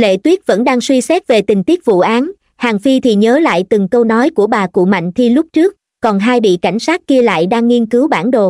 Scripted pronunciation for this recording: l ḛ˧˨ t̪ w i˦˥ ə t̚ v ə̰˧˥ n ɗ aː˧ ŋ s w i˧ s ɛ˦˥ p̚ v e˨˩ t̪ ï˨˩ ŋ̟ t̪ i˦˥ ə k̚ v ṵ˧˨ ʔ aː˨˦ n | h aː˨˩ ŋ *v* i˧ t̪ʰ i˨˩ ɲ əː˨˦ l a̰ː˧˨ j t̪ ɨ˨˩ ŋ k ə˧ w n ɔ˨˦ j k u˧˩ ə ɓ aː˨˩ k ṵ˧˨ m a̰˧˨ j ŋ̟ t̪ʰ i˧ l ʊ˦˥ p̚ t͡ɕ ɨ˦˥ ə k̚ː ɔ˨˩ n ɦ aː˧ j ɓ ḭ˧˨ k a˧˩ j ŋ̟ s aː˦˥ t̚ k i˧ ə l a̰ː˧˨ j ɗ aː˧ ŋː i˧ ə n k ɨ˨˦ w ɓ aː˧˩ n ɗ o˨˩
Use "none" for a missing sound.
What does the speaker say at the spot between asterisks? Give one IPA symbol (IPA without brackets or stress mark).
f